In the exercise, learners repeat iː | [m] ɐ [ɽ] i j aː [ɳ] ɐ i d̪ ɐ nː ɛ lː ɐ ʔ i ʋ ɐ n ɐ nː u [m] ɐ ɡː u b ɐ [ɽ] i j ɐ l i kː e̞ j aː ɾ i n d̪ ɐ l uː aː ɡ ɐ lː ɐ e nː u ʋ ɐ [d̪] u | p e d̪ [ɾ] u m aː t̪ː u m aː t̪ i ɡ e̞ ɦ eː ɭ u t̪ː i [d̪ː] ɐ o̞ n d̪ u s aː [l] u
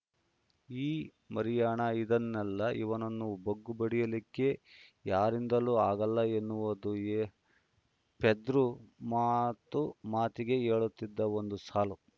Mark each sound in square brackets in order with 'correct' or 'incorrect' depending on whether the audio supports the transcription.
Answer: correct, incorrect: ɾ, correct, incorrect: b, correct, correct, correct, correct, correct

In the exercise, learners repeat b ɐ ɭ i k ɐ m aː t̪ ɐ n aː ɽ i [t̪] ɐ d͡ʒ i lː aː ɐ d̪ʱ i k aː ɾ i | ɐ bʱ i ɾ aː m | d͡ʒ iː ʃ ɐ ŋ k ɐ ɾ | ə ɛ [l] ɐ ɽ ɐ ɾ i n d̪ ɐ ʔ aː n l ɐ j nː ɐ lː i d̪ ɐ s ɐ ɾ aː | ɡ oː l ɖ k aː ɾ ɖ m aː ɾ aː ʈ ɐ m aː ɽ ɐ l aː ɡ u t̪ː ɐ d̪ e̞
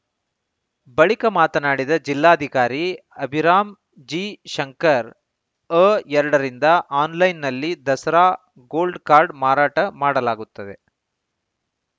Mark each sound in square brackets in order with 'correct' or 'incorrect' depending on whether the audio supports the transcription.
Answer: incorrect: d̪, incorrect: ɾ

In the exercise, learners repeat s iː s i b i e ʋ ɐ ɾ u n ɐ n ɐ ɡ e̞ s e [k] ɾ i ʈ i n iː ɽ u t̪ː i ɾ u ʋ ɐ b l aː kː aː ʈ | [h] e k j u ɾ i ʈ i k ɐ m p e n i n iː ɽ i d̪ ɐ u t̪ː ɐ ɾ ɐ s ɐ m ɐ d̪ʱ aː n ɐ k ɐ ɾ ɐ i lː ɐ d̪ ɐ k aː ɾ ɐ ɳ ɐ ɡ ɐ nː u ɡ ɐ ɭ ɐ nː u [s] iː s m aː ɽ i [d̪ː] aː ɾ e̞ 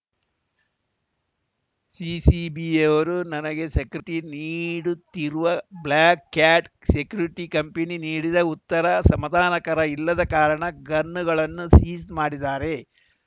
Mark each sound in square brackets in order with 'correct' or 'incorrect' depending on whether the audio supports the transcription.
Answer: correct, incorrect: s, correct, incorrect: d̪

